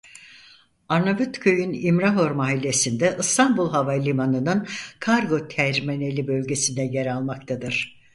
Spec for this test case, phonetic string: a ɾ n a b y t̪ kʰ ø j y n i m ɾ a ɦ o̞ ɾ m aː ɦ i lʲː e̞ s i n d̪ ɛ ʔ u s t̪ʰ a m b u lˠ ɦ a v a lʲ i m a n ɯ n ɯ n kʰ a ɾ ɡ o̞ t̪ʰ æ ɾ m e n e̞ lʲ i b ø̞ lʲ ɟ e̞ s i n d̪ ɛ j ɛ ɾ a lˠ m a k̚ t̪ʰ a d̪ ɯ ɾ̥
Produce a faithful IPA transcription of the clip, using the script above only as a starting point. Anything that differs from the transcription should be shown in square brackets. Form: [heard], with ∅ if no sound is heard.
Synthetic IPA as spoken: a ɾ n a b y t̪ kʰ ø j y n i m ɾ a ɦ o̞ ɾ m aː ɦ i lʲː e̞ s i n d̪ ɛ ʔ [ɯ] s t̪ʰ a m b u lˠ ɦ a v a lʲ i m a n ɯ n ɯ n kʰ a ɾ ɡ o̞ t̪ʰ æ ɾ m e n e̞ lʲ i b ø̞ lʲ ɟ e̞ s i n d̪ ɛ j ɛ ɾ a lˠ m a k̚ t̪ʰ a d̪ ɯ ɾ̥

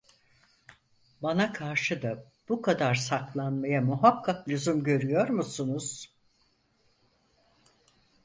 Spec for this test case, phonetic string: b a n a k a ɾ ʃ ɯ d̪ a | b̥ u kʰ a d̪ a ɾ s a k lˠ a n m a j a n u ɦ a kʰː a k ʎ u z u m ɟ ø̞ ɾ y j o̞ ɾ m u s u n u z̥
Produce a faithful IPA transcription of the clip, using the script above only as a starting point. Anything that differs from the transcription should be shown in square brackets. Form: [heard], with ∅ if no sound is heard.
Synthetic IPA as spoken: b a n a [kʰ] a ɾ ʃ ɯ d̪ a | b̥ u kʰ a d̪ a ɾ s a k lˠ a n m a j a [m] u ɦ a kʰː a k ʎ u z u m ɟ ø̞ ɾ y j o̞ ɾ m u s u n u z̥

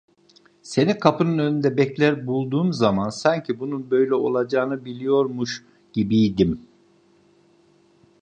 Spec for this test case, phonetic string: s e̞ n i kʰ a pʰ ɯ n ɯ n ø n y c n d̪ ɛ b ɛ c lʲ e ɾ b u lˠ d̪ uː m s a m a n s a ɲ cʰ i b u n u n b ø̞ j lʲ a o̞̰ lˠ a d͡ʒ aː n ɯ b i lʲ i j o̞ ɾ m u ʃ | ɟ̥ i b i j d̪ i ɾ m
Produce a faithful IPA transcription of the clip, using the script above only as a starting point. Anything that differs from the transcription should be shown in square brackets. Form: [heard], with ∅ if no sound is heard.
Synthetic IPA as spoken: s e̞ n i kʰ a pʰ ɯ n ɯ n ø n y [∅] n d̪ ɛ b ɛ c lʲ [æ] ɾ b u lˠ d̪ uː m [z] a m a n s a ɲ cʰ i b u n u n b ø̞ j lʲ [ɛ] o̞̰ lˠ a d͡ʒ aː n ɯ b i lʲ i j o̞ ɾ m u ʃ | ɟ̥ i b i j d̪ i [∅] m

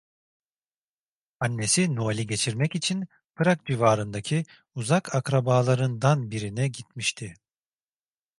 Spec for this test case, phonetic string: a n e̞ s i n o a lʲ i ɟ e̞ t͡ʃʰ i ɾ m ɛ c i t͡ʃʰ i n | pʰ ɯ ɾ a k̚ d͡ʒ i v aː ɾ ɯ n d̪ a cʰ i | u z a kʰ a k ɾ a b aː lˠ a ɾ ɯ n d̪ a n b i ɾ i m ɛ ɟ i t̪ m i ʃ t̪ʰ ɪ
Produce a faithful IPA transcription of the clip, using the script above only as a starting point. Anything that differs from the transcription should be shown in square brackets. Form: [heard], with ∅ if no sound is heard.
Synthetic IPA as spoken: a [nː] e̞ s i n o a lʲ i ɟ e̞ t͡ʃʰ i ɾ m ɛ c i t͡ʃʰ i n | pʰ ɯ ɾ a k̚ d͡ʒ i v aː ɾ ɯ n d̪ a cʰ i | u z a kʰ a k ɾ a b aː lˠ a ɾ ɯ n d̪ a n b i ɾ i [n] ɛ ɟ i t̪ m i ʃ t̪ʰ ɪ

